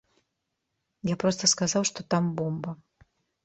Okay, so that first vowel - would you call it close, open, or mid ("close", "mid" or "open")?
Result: open